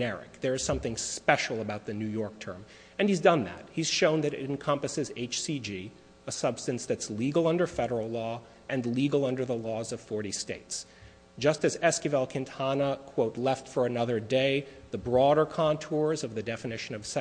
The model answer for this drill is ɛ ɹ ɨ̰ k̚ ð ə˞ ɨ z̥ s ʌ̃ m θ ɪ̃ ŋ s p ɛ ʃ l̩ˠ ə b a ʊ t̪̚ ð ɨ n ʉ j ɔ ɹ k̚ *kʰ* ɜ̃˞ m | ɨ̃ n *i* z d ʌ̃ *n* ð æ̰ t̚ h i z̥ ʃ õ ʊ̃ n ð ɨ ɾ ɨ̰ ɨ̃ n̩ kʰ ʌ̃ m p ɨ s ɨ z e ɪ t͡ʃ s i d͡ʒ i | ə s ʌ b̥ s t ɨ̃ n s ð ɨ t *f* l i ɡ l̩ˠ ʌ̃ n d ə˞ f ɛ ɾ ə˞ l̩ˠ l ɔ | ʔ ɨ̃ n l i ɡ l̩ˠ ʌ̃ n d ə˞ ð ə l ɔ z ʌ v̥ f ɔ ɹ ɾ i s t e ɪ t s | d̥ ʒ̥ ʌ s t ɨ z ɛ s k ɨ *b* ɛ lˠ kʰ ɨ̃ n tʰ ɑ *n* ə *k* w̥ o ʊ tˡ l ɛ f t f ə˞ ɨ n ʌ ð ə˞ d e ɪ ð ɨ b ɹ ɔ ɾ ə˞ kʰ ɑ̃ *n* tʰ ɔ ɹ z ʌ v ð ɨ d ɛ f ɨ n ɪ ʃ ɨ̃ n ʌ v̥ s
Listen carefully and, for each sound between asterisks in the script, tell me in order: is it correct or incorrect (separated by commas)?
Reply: incorrect, correct, correct, incorrect, incorrect, correct, incorrect, correct